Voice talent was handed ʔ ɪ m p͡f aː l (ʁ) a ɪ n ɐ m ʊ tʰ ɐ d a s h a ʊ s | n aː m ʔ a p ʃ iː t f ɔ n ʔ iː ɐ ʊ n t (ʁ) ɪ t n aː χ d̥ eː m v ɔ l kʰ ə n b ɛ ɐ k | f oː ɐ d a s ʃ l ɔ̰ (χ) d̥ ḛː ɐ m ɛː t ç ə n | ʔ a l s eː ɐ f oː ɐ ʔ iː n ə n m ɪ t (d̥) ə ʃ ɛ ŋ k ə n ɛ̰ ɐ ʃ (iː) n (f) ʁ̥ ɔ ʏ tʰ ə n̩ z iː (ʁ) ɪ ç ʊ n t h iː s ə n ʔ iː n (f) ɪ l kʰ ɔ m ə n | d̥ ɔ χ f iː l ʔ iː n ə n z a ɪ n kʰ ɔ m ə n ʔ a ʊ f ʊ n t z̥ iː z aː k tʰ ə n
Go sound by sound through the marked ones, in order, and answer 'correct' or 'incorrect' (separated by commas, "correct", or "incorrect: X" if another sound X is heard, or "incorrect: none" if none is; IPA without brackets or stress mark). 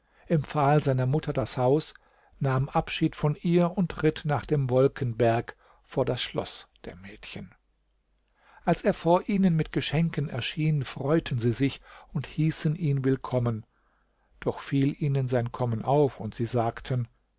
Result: incorrect: z, correct, incorrect: s, incorrect: ɡ̥, correct, correct, incorrect: z, incorrect: v